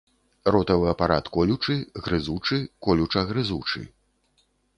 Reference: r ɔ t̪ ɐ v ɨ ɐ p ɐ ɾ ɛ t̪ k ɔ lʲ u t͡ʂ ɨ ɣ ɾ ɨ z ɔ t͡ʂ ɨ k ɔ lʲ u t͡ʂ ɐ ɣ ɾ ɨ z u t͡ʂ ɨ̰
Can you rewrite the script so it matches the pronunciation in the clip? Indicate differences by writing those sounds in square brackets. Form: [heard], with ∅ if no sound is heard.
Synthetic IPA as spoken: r ɔ t̪ ɐ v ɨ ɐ p [a] ɾ [a] t̪ k ɔ lʲ u t͡ʂ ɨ ɣ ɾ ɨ z [u] t͡ʂ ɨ k ɔ lʲ u t͡ʂ ɐ ɣ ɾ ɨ z u t͡ʂ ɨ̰